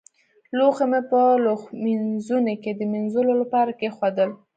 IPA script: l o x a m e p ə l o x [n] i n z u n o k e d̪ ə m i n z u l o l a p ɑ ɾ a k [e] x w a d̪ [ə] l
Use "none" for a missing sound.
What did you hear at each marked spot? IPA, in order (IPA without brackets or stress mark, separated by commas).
m, e, ə